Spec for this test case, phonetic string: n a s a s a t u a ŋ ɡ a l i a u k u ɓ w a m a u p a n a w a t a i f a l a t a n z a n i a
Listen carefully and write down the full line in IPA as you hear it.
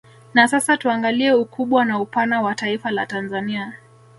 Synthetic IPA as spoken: n a s a s a t u a ŋ ɡ a l i ɛ u k u ɓ w a n a u p a n a w a t a i f a l a t a n z a n i a

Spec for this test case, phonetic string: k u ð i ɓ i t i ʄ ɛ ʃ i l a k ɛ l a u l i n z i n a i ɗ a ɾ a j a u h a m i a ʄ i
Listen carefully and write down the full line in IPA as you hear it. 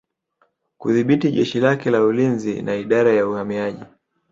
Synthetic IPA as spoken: k u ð i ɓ i t i ʄ ɛ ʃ i l a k ɛ l a u l i n z i n a i ɗ a ɾ a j a u h a m i a ʄ i

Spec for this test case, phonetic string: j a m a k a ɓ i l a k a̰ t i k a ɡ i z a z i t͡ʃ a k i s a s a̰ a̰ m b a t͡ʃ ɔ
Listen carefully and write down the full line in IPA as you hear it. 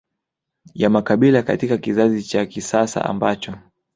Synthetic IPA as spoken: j a m a k a ɓ i l a k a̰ t i k a k i z a z i t͡ʃ a k i s a s a̰ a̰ m b a t͡ʃ ɔ

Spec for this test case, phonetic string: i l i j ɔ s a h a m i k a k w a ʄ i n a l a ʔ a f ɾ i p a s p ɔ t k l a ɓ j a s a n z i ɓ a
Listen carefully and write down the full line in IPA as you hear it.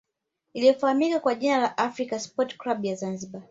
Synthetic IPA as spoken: i l i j ɔ f a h a m i k a k w a ʄ i n a l a ʔ a f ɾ i k a s p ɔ t k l a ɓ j a z a n z i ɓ a

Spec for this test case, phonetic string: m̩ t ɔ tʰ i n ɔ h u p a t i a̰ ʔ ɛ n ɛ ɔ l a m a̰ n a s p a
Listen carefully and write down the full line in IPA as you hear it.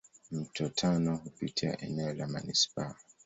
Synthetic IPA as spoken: m̩ t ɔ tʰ a n ɔ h u p i t i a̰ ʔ ɛ n ɛ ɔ l a m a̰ n i s p a

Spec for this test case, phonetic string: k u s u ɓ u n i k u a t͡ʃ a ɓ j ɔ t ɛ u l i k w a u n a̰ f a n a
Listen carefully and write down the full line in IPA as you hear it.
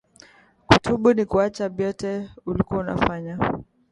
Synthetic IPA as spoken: k u t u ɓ u n i k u a t͡ʃ a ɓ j ɔ t ɛ u l i k u a u n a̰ f a ɲ a

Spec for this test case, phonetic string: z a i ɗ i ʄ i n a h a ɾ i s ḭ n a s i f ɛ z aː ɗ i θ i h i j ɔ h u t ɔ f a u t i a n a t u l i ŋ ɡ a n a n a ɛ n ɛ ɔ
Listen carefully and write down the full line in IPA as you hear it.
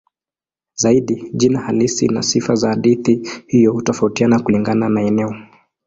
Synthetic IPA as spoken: z a i ɗ i ʄ i n a h a l i s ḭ n a s i f a z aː ɗ i θ i h i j ɔ h u t ɔ f a u t i a n a k u l i ŋ ɡ a n a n a ɛ n ɛ ɔ

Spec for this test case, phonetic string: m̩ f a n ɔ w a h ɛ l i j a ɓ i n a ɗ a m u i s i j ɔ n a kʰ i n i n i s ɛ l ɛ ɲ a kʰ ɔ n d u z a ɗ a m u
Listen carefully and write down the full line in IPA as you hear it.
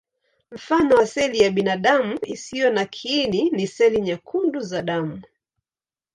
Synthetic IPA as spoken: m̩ f a n ɔ w a s ɛ l i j a ɓ i n a ɗ a m u i s i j ɔ n a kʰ i n i n i s ɛ l i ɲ a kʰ u n d u z a ɗ a m u

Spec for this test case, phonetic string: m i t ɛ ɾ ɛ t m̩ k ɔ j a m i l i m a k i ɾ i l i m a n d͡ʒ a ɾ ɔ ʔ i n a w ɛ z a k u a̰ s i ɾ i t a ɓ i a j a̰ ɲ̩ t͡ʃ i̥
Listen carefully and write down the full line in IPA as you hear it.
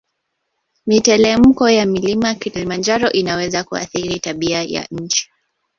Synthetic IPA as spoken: m i t ɛ l ɛ m̩ k ɔ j a m i l i m a k i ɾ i l i m a n d͡ʒ a ɾ ɔ ʔ i n a w ɛ z a k u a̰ θ i ɾ i t a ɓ i a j a̰ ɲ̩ t͡ʃ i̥

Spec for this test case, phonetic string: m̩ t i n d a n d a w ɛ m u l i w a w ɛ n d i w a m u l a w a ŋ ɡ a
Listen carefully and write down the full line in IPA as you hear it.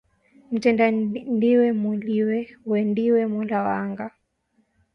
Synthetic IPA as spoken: m̩ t ɛ n d a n d i w ɛ m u l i w ɛ w ɛ n d i w ɛ m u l a w a ŋ ɡ a

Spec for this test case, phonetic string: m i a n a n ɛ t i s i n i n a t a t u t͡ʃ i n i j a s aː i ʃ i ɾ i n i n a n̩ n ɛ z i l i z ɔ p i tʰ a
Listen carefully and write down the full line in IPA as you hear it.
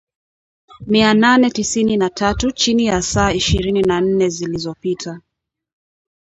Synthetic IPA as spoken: m i a n a n ɛ t i s i n i n a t a t u t͡ʃ i n i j a s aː i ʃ i ɾ i n i n a n̩ n ɛ z i l i z ɔ p i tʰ a

